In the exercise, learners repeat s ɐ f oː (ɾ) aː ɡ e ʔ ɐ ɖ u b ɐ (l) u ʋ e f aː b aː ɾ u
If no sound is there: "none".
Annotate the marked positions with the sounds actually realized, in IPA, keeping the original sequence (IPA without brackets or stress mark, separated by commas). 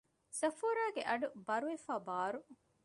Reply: ɾ, ɾ